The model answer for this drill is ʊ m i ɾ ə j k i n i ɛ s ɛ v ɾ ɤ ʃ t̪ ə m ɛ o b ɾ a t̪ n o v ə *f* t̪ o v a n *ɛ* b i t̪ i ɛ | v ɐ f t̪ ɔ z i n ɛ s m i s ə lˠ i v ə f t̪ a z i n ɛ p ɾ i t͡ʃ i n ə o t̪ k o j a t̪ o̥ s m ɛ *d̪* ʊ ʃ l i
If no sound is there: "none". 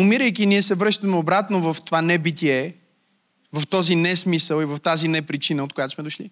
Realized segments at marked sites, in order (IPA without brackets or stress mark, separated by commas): f, ɛ, d̪